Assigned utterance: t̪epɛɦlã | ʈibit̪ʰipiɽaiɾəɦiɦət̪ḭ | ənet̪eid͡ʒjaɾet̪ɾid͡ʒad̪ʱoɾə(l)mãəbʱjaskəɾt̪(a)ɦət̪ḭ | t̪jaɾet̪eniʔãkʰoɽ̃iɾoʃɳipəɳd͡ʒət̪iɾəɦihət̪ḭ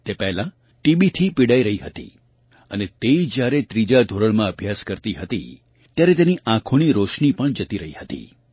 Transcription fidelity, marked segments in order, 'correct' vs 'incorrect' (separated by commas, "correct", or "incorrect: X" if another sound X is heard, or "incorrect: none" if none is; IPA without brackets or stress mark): incorrect: ɭ, incorrect: i